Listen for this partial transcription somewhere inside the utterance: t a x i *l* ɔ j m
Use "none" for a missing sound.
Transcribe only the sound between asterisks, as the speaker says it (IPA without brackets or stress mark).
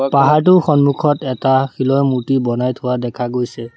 l